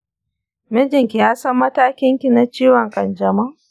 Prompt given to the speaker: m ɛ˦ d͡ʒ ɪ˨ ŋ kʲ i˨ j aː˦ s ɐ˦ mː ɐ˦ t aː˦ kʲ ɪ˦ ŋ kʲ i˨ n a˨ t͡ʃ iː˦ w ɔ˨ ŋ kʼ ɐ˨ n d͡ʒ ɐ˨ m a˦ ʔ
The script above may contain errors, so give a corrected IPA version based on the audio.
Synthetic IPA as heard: m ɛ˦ d͡ʒ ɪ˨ ŋ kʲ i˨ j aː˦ s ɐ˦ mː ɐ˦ t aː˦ kʲ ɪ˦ ŋ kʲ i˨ n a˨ t͡ʃ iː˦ w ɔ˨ ŋ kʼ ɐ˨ n d͡ʒ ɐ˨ m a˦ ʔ